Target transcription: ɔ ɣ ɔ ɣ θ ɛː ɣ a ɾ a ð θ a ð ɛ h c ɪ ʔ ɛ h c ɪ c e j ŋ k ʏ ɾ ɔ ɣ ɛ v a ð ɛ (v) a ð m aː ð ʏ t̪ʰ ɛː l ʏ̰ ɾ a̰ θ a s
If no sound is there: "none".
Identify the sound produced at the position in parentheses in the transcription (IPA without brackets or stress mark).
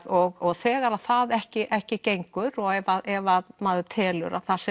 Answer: v